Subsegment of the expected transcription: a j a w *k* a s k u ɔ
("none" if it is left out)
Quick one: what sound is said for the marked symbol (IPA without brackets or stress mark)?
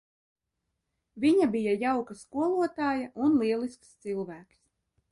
k